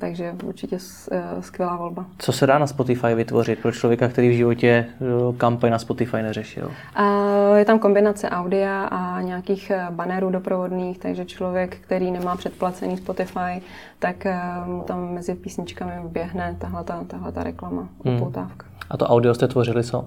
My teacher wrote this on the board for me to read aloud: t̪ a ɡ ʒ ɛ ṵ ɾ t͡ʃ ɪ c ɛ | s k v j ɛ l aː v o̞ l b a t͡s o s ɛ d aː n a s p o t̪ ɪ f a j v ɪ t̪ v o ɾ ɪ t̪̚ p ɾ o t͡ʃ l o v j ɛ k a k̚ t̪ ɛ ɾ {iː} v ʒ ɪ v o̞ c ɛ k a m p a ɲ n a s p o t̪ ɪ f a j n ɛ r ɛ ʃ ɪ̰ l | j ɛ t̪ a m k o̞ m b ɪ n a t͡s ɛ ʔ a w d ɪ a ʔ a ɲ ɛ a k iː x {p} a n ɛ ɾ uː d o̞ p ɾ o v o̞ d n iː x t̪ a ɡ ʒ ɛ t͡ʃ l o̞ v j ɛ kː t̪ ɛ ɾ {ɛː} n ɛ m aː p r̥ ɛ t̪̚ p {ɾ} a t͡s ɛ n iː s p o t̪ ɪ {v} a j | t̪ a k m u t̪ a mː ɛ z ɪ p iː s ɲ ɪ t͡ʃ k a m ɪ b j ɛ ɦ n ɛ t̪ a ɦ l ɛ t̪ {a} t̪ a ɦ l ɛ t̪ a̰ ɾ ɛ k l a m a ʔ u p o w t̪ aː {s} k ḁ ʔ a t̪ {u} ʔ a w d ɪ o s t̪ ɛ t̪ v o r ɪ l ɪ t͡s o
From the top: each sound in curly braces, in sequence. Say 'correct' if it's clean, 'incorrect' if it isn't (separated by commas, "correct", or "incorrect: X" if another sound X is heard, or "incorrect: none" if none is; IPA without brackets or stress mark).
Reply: correct, incorrect: b, incorrect: iː, incorrect: l, incorrect: f, correct, incorrect: f, incorrect: o